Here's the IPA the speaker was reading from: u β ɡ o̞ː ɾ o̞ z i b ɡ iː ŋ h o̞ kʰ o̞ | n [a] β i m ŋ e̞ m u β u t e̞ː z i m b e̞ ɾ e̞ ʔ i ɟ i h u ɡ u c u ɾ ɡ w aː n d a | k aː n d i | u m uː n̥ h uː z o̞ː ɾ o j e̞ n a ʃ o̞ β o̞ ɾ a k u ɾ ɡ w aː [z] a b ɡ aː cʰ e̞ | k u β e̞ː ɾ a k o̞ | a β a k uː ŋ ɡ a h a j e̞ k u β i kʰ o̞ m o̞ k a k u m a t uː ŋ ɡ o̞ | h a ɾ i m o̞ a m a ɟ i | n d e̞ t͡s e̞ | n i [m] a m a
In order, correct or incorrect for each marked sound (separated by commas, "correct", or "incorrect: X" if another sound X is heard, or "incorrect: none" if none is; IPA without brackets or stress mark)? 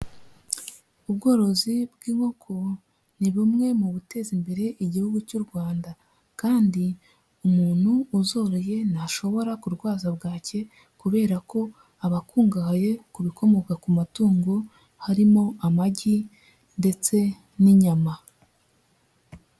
incorrect: i, correct, incorrect: ɲ